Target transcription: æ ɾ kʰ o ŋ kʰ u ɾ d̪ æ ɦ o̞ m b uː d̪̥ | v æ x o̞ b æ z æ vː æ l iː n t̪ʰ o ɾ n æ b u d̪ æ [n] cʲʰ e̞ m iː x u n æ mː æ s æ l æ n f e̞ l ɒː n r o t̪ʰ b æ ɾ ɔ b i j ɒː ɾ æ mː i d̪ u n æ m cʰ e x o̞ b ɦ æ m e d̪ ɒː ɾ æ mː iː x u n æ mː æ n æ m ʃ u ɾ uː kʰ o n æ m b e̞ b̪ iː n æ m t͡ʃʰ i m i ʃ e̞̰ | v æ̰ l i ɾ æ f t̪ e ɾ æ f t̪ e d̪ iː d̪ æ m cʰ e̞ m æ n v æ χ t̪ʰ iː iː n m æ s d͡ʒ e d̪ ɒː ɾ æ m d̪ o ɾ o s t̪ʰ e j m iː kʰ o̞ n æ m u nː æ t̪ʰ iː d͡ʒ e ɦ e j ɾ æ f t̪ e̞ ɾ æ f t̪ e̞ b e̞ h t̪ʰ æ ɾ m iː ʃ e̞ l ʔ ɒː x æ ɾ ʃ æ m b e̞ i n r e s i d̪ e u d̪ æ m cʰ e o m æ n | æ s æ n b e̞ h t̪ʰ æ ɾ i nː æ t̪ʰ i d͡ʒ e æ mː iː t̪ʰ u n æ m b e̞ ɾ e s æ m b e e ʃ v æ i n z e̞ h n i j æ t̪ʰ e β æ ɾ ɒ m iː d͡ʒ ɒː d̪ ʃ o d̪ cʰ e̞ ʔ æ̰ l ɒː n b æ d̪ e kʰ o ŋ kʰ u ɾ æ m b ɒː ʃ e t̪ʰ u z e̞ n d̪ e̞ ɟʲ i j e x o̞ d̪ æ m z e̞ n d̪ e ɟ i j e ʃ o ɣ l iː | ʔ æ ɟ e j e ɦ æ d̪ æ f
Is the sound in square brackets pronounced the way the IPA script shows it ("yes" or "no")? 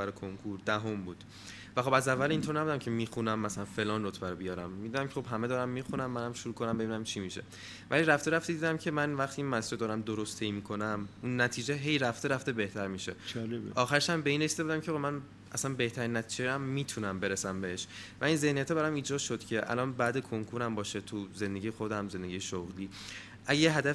no